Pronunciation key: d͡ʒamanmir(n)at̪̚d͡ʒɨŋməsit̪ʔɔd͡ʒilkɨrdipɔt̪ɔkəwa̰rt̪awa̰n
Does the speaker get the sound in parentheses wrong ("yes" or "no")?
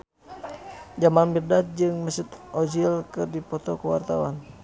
yes